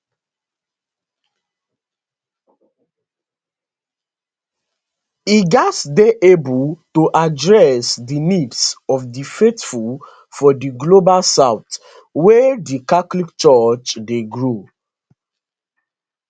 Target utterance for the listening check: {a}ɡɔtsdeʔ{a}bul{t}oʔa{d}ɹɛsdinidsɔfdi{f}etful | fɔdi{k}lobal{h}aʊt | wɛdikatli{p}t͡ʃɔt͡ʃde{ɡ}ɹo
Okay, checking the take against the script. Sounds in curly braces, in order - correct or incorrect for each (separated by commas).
incorrect, incorrect, correct, correct, correct, incorrect, incorrect, incorrect, correct